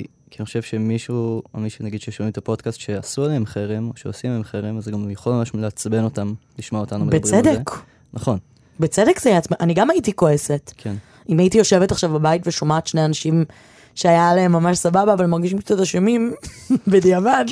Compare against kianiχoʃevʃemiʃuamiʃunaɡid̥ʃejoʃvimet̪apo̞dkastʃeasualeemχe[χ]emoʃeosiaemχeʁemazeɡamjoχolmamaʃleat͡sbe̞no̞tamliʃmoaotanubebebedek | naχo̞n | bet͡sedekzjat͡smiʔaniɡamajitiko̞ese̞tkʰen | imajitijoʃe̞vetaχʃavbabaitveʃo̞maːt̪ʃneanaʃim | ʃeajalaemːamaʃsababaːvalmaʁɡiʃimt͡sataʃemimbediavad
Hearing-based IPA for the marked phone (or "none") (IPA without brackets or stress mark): ʁ